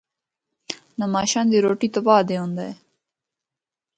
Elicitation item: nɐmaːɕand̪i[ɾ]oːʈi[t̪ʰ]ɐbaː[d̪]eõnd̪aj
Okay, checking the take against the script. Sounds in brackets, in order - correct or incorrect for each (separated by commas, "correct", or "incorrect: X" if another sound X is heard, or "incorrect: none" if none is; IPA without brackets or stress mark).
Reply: correct, incorrect: t̪, correct